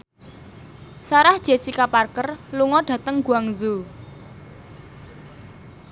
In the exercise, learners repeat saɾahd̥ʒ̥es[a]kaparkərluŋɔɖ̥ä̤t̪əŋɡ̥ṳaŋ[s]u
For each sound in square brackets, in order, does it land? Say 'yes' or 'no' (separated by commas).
no, no